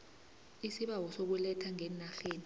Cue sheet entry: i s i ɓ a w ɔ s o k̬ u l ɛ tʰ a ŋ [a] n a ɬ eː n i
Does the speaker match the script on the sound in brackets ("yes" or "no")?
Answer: no